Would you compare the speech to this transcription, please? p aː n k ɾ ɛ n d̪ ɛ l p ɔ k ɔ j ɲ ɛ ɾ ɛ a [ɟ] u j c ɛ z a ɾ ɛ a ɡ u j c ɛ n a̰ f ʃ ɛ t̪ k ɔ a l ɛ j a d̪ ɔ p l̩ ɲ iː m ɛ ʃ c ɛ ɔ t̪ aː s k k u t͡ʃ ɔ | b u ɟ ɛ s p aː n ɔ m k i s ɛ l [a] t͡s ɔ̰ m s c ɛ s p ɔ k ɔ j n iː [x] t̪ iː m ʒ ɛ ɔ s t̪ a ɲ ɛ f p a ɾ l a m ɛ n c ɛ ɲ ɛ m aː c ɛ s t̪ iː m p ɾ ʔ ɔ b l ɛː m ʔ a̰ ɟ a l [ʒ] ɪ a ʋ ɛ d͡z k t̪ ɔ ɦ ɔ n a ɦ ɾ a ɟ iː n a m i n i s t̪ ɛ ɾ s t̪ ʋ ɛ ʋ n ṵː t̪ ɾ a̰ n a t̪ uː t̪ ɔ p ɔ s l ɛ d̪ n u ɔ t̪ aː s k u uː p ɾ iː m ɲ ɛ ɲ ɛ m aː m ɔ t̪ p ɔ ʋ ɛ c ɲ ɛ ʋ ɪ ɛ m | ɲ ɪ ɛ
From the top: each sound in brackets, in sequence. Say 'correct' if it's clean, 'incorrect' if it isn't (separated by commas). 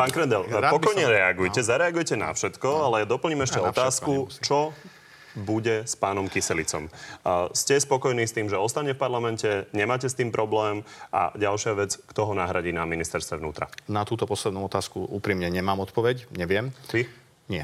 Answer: incorrect, incorrect, incorrect, incorrect